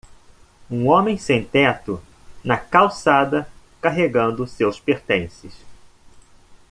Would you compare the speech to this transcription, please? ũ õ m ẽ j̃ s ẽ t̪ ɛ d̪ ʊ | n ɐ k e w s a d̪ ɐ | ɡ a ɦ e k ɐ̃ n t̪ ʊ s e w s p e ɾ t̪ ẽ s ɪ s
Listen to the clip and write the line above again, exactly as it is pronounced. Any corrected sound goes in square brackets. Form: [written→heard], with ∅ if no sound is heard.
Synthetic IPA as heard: ũ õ m ẽ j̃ s ẽ t̪ ɛ [d̪→t̪] ʊ | n ɐ k [e→a] w s a d̪ ɐ | [ɡ→k] a ɦ e [k→ɡ] ɐ̃ n [t̪→d̪] ʊ s e w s p e ɾ t̪ ẽ s ɪ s